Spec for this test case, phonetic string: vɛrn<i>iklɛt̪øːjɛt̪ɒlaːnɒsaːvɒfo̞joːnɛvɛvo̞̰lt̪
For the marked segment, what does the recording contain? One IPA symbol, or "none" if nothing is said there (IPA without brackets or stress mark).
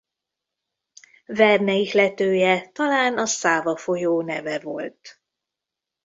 ɛ